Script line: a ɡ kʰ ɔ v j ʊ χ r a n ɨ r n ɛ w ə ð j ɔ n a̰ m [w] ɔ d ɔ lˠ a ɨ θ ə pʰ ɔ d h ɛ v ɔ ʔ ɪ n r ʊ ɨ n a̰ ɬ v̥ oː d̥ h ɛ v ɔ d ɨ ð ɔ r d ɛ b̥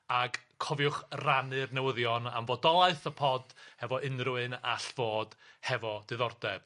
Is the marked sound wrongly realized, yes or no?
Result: yes